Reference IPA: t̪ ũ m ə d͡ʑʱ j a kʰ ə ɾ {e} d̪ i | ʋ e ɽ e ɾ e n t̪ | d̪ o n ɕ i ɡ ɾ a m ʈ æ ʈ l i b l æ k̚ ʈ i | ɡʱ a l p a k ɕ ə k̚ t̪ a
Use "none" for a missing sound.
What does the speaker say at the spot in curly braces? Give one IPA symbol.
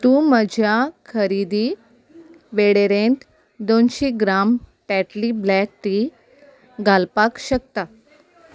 i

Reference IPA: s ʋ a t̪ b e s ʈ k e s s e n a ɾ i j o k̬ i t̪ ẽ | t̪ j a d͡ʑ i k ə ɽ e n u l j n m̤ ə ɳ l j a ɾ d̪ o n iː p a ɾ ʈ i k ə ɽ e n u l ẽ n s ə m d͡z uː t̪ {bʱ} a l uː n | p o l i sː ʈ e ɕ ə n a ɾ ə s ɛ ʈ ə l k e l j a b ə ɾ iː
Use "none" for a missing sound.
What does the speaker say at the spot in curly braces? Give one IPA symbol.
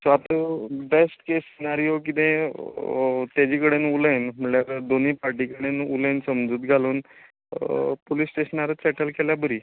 ɡʱ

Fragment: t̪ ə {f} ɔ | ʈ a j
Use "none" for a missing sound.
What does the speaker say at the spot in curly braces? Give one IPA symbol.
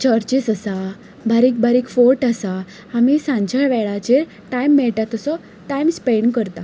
s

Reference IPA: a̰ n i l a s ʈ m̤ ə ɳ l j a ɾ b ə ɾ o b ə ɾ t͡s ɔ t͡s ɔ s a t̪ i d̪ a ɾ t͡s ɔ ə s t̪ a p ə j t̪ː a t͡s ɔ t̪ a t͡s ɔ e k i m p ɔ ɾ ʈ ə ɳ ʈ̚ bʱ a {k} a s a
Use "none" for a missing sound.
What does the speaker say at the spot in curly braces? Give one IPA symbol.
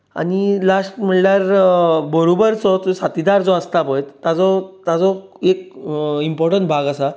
ɡ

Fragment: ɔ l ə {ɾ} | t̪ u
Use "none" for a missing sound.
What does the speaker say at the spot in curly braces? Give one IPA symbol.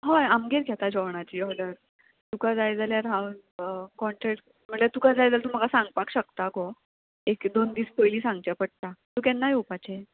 ɾ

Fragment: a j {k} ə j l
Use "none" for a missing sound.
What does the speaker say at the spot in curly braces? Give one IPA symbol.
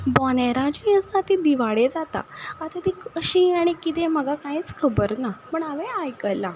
k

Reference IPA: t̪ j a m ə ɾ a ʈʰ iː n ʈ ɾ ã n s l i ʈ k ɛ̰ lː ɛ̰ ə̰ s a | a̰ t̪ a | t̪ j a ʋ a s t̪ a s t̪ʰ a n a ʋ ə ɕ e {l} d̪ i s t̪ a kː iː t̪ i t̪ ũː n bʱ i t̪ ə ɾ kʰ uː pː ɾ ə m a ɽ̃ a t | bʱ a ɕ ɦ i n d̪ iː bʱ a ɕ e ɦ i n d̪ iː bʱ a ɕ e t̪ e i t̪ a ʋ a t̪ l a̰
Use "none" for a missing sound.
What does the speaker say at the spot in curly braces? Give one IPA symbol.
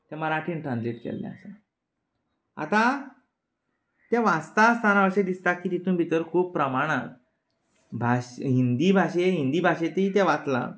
none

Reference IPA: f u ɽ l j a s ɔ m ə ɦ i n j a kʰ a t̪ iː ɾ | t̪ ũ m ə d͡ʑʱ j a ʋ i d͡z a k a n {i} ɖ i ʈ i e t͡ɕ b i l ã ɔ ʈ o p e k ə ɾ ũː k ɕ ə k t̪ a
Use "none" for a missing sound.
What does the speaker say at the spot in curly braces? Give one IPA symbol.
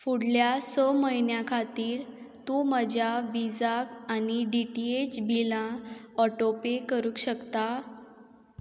i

